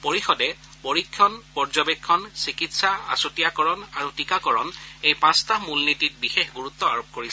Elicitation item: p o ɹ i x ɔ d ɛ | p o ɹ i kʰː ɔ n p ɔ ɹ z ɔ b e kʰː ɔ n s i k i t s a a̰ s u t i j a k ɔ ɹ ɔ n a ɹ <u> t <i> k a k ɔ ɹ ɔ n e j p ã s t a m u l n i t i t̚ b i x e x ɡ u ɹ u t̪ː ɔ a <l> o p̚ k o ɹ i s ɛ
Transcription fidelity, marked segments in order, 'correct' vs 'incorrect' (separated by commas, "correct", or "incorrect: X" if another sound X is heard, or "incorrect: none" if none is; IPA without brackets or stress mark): correct, correct, incorrect: ɹ